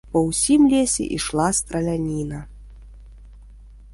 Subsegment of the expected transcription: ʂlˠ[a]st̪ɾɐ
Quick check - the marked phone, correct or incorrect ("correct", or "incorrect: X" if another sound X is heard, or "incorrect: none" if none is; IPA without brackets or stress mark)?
correct